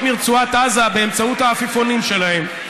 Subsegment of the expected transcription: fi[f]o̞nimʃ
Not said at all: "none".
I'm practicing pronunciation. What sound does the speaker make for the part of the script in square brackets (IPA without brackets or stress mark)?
f